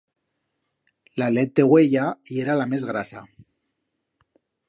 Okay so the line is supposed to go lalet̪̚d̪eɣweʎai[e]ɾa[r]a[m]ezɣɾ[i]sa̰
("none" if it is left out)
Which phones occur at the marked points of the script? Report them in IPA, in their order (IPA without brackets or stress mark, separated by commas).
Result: e, l, m, a